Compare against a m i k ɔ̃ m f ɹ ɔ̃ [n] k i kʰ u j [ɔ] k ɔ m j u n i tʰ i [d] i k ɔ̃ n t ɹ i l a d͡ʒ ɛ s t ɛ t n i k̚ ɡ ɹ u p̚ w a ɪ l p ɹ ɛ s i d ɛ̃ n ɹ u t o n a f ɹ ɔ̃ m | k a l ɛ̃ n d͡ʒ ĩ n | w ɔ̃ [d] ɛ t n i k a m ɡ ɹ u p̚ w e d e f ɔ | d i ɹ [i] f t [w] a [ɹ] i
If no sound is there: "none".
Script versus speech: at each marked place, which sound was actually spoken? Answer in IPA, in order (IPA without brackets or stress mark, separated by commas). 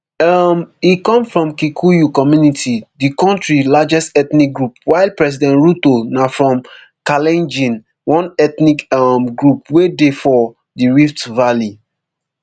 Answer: m, u, d, n, i, v, l